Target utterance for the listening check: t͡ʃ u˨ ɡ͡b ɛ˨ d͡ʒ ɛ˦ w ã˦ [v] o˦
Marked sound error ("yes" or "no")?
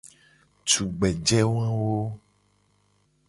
yes